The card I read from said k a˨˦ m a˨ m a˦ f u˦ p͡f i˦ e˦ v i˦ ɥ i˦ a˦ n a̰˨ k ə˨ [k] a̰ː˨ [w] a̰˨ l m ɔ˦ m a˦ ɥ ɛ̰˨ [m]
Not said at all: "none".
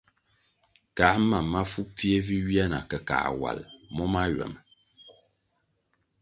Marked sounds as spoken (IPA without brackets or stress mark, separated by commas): k, w, m